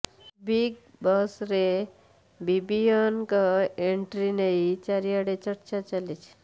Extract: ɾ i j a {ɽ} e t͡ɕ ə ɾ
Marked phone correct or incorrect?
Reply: correct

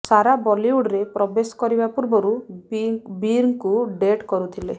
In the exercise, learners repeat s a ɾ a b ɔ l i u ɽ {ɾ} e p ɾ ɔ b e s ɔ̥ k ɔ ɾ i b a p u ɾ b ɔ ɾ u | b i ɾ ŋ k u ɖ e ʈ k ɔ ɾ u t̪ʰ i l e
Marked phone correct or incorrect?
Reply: correct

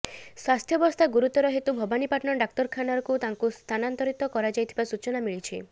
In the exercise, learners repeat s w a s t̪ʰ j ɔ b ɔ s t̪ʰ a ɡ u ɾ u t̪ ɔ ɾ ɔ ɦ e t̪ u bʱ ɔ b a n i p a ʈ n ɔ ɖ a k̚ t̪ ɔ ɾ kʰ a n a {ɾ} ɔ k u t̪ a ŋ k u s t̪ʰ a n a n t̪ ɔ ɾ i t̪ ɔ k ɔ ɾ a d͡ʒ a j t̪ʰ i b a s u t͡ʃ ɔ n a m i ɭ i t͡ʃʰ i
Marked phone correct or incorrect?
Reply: correct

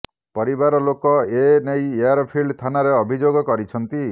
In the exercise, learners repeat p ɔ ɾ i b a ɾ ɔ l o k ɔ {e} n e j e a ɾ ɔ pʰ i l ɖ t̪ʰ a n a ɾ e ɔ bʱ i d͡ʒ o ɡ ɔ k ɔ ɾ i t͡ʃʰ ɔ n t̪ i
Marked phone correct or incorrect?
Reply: correct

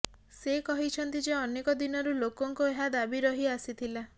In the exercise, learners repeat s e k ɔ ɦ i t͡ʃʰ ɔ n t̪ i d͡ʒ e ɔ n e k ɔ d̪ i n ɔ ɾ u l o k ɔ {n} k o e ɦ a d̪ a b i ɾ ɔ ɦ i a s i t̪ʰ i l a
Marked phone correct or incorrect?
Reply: incorrect: ŋ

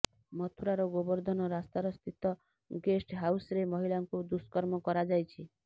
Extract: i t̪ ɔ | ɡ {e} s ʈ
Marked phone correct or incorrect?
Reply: correct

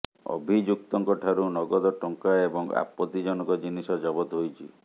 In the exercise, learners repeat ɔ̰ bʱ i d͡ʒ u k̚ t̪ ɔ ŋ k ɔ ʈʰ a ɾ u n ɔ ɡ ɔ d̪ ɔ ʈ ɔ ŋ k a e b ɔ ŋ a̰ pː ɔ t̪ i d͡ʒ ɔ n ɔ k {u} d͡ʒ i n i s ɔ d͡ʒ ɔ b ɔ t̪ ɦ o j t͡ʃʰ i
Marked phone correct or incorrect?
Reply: incorrect: ɔ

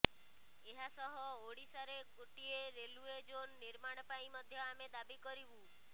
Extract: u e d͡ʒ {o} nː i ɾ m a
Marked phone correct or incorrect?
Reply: correct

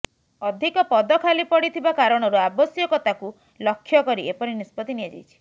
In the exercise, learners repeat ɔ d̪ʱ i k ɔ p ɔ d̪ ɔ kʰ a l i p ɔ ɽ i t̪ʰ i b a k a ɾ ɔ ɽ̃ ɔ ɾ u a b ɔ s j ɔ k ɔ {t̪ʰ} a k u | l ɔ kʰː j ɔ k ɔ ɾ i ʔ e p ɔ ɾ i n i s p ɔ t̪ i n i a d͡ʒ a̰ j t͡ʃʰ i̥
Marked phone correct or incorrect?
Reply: incorrect: t̪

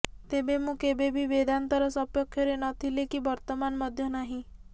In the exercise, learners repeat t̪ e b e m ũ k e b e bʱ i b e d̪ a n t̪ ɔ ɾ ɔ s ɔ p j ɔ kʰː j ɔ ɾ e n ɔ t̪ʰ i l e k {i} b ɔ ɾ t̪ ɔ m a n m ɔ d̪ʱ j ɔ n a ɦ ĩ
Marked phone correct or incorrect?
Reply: correct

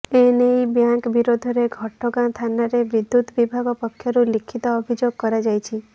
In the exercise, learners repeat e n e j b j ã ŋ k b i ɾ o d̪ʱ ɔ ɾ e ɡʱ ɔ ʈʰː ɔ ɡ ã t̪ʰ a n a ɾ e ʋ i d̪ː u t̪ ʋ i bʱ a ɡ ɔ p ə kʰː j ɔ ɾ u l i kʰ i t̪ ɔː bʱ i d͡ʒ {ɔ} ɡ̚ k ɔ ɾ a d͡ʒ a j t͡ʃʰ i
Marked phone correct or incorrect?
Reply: incorrect: o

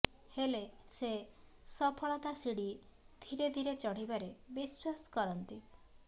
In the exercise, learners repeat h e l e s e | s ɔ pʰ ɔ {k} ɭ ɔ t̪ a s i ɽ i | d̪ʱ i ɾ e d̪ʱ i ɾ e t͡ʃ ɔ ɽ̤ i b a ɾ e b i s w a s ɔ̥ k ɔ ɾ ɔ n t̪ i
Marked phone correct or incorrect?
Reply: incorrect: none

